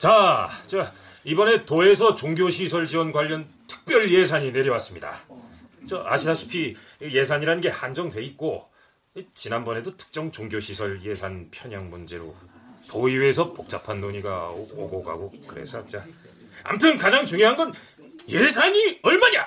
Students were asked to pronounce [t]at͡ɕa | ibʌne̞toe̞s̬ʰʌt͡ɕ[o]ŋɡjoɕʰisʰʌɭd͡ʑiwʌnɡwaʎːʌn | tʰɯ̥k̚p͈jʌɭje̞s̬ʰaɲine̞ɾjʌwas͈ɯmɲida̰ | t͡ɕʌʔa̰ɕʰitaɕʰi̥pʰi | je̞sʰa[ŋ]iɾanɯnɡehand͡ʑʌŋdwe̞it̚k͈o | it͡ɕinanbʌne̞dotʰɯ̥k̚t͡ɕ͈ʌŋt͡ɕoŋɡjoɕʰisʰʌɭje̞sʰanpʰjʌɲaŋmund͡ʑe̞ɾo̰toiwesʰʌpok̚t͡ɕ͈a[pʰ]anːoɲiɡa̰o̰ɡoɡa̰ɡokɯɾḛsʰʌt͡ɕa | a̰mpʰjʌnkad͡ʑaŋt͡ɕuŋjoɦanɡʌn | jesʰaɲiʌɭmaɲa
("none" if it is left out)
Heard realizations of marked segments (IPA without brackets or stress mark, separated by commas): t͡ɕ, o, ɲ, pʰ